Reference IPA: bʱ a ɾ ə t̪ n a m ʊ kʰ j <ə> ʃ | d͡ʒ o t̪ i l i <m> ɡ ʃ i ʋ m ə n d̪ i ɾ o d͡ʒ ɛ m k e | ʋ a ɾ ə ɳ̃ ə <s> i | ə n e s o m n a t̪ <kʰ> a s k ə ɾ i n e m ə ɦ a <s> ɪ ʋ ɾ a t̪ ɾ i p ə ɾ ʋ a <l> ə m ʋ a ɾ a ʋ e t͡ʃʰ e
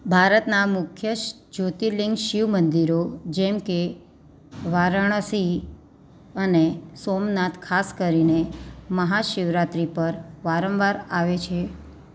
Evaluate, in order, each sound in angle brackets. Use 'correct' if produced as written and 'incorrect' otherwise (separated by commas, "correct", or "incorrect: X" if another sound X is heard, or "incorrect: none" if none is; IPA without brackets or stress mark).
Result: correct, incorrect: ŋ, correct, correct, incorrect: ʃ, incorrect: ɾ